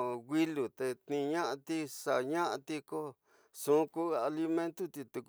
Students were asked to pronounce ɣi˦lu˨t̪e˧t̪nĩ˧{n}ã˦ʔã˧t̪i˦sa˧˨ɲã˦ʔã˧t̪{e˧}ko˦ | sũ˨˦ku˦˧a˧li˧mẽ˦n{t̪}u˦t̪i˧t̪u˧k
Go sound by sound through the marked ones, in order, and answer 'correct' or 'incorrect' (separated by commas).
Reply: incorrect, incorrect, correct